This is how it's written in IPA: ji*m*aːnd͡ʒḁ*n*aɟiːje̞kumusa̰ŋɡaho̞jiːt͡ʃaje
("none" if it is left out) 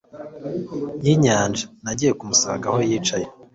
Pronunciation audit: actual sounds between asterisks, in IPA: ɲ, n

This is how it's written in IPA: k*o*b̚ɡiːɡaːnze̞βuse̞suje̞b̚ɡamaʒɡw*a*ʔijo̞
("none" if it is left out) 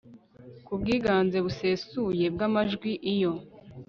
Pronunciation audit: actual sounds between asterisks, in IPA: u, i

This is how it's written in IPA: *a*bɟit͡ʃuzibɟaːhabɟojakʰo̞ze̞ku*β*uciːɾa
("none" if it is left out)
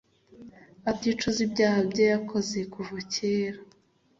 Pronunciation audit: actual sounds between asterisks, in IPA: a, v

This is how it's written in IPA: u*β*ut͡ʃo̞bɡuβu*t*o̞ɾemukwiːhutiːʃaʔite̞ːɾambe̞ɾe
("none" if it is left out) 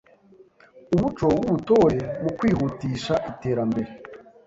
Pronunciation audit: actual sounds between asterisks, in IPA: β, t

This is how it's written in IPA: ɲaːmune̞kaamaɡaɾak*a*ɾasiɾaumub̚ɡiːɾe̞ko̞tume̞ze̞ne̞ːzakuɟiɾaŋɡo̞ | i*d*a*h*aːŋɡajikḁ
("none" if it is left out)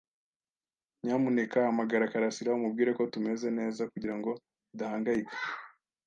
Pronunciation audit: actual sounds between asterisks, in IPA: a, d, h

